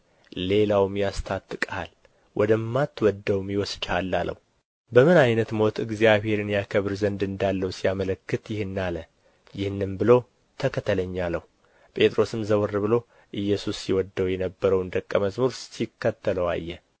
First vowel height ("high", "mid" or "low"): mid